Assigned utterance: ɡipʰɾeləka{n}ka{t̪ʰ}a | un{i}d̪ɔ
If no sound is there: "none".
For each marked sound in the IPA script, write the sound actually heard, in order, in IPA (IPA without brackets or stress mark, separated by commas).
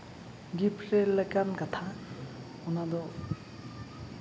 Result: n, t̪ʰ, a